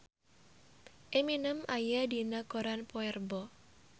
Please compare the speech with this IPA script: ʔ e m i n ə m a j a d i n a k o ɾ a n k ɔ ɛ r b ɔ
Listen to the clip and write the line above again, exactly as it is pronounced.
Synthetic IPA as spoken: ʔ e m i n ə m a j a d i n a k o ɾ a n p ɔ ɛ r b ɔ

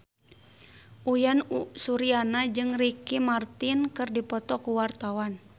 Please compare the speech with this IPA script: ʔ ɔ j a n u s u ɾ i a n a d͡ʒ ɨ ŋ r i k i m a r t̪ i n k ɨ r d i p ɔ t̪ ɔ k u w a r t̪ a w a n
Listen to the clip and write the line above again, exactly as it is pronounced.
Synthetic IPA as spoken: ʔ u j a n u s u ɾ i a n a d͡ʒ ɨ ŋ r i k i m a r t̪ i n k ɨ r d i p ɔ t̪ ɔ k u w a r t̪ a w a n

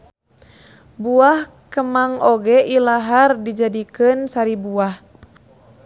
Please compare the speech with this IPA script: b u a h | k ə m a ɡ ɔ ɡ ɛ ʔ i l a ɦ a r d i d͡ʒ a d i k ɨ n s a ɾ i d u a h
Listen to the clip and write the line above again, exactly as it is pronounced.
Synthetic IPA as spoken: b u a h | k ə m a ŋ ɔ ɡ ɛ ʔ i l a ɦ a r d i d͡ʒ a d i k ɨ n s a ɾ i b u a h

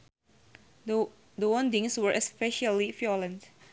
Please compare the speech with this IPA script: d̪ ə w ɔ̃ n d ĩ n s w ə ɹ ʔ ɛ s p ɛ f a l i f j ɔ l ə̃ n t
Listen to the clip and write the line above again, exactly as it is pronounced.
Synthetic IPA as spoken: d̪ ə w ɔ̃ n d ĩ ŋ s w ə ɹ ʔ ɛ s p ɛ ʃ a l i f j ɔ l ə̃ n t

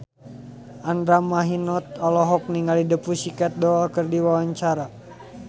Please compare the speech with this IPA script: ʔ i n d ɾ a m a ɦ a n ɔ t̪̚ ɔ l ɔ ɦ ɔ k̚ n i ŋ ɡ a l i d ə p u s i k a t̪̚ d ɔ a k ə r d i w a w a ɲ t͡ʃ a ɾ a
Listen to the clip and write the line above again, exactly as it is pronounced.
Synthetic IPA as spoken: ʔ a n d ɾ a m a ɦ i n ɔ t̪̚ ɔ l ɔ ɦ ɔ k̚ n i ŋ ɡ a l i d ə p u s i k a t̪̚ d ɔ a k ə r d i w a w a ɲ t͡ʃ a ɾ a

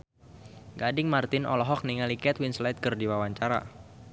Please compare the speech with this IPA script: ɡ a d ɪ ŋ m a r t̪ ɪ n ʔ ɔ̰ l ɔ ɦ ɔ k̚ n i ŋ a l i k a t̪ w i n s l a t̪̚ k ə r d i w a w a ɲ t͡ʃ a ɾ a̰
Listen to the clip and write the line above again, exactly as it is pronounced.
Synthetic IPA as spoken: ɡ a d ɪ ŋ m a r t̪ ɪ n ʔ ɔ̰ l ɔ ɦ ɔ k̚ n i ŋ a l i k ɛ t̪ w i n s l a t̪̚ k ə r d i w a w a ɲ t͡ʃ a ɾ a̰

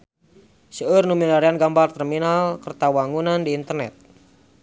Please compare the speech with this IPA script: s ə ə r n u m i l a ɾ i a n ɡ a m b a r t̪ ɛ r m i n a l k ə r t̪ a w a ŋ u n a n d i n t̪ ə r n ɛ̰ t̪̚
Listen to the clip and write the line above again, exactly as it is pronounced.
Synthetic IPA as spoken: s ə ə r n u m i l a ɾ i a n ɡ a m b a r t̪ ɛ r m i n a l k ə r t̪ a w a ŋ u n a n d iː n t̪ ə r n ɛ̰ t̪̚

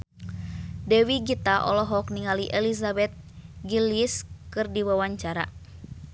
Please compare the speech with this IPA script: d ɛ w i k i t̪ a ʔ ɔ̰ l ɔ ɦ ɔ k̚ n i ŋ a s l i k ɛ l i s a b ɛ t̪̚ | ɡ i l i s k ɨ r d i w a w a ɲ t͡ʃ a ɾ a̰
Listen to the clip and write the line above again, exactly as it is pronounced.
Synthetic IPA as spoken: d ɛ w i ɡ i t̪ a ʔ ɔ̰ l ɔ ɦ ɔ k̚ n i ŋ a l i ʔ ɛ l i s a b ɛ t̪̚ | ɡ i l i s k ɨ r d i w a w a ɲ t͡ʃ a ɾ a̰

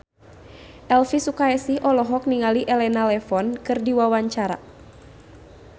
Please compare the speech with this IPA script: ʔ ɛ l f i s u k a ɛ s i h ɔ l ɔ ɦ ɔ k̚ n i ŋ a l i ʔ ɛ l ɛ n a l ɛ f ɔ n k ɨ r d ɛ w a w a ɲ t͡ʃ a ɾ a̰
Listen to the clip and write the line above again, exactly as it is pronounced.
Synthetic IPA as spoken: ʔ ɛ l f i s u k a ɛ s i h ɔ l ɔ ɦ ɔ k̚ n i ŋ a l i ʔ ɛ l ɛ n a l ɛ f ɔ n k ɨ r d i w a w a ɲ t͡ʃ a ɾ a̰

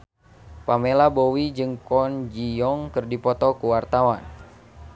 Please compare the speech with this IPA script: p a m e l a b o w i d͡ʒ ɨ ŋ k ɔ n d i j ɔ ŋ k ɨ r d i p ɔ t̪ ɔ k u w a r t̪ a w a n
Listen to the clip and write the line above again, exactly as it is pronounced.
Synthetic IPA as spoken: p a m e l a b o w i d͡ʒ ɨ ŋ k ɔ n d͡ʒ i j ɔ ŋ k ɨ r d i p ɔ t̪ ɔ k u w a r t̪ a w a n

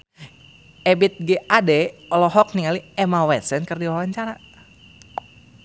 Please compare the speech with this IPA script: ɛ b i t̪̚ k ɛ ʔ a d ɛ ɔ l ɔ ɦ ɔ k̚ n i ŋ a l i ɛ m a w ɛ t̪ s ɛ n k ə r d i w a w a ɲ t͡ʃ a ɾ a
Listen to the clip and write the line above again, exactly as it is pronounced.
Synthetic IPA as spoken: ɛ b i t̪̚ ɡ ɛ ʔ a d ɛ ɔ l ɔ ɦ ɔ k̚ n i ŋ a l i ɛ m a w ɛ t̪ s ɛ n k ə r d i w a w a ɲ t͡ʃ a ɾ a

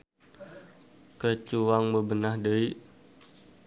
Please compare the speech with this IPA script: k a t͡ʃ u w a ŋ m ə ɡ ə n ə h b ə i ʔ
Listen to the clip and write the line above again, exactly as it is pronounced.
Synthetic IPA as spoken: k ə t͡ʃ u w a ŋ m ə b ə n a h d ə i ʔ

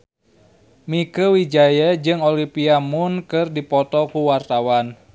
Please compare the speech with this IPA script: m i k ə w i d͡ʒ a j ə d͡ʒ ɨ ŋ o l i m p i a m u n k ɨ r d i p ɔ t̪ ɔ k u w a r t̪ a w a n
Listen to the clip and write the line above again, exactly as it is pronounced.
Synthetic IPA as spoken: m i k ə w i d͡ʒ a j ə d͡ʒ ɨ ŋ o l i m p i a m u n k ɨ r d i p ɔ t̪ ɔ k u w a r t̪ a w a n

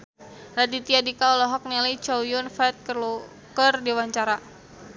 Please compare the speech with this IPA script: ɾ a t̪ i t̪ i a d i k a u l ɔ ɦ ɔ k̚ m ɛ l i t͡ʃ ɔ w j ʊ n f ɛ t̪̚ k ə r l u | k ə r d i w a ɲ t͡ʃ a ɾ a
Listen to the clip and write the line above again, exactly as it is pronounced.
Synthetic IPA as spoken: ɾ a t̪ i t̪ i a d i k a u l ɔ ɦ ɔ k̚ n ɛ l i t͡ʃ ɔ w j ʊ n f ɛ t̪̚ k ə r l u | k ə r d i w a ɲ t͡ʃ a ɾ a

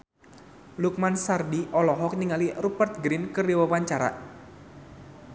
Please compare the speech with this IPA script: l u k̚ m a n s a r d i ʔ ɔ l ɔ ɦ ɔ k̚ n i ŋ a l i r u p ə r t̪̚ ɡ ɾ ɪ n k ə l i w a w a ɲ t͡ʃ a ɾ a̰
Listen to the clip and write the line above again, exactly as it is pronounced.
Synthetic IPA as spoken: l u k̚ m a n s a r d i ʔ ɔ l ɔ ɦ ɔ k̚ n i ŋ a l i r u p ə r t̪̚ ɡ ɾ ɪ n k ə r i w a w a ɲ t͡ʃ a ɾ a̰

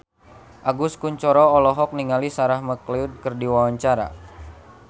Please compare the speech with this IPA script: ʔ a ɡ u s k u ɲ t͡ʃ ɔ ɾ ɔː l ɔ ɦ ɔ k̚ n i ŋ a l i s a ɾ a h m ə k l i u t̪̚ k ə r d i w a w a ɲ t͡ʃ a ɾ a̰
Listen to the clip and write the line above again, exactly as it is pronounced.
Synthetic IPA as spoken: ʔ a ɡ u s k u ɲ t͡ʃ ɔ ɾ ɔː l ɔ ɦ ɔ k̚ n i ŋ a l i s a ɾ a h m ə k l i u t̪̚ k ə r d i w a w a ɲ t͡ʃ a ɾ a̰

